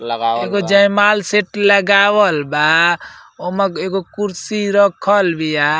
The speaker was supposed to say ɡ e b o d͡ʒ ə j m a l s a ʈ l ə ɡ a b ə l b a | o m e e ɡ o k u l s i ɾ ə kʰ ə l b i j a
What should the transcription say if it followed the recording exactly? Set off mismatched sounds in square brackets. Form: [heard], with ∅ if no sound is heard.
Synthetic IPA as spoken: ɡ e [ɡ] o d͡ʒ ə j m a l s [e] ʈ l ə ɡ a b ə l b a | o m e e ɡ o k u [ɾ] s i ɾ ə kʰ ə l b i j a